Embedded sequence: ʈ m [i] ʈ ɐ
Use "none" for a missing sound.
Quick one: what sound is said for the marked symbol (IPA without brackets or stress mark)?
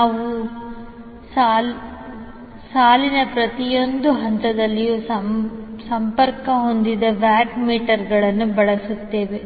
iː